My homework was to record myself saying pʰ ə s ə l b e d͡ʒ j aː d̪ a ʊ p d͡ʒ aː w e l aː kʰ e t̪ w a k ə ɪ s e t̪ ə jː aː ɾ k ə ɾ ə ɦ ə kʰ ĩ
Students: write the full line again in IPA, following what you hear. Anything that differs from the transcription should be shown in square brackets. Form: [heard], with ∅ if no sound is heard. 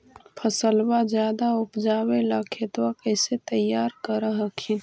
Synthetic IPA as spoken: pʰ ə s ə l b [a] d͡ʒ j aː d̪ a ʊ p d͡ʒ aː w e l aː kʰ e t̪ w a k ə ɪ s e t̪ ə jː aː ɾ k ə ɾ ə ɦ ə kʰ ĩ